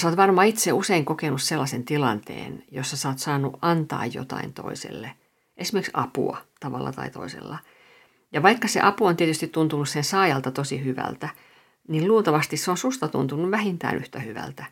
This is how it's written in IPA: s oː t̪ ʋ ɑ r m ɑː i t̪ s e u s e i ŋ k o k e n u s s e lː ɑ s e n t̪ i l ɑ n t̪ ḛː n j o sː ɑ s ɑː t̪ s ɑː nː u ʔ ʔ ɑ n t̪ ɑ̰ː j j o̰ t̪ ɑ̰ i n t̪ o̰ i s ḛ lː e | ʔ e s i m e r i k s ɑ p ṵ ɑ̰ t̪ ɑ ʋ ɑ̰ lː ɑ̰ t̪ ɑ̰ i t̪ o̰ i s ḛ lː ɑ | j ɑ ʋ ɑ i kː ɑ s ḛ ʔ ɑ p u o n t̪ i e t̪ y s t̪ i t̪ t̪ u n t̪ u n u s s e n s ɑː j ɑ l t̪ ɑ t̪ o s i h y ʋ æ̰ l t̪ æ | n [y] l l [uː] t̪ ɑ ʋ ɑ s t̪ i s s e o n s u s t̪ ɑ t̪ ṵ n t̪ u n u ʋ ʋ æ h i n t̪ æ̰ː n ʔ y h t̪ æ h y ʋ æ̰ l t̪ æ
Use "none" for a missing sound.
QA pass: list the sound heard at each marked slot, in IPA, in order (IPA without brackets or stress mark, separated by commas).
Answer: i, uː